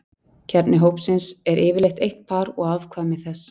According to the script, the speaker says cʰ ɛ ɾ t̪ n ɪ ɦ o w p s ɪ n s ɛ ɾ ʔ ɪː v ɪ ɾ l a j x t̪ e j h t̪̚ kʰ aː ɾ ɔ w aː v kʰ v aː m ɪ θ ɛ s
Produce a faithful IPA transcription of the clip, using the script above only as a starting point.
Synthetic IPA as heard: cʰ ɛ ɾ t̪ n ɪ ɦ o w p s ɪ n s ɛ ɾ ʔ ɪː v ɪ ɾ l e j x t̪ e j h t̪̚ pʰ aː ɾ ɔ ɣ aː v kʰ v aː m ɪ θ ɛ s